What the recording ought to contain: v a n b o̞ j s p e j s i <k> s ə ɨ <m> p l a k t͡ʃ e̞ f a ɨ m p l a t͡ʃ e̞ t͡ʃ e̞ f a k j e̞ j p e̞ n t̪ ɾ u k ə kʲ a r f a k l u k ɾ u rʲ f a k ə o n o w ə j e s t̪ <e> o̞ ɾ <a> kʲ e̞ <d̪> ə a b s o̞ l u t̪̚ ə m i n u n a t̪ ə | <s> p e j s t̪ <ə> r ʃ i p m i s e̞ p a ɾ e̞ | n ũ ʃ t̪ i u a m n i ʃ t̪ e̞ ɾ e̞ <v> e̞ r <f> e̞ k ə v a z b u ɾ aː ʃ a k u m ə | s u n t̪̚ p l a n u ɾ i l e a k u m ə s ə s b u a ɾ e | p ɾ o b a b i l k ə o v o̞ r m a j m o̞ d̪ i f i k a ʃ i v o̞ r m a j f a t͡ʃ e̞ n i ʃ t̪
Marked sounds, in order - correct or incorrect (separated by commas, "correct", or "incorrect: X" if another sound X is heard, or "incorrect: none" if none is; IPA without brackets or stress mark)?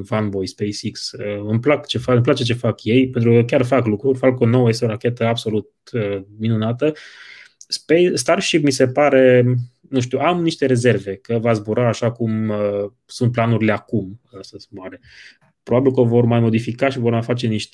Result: correct, correct, correct, correct, incorrect: t̪, correct, incorrect: a, incorrect: z, incorrect: v